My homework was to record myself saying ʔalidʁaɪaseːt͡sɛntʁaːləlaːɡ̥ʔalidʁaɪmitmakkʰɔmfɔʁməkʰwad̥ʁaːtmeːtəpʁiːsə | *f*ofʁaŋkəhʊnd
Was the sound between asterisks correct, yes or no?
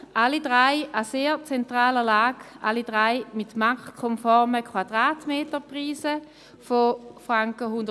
yes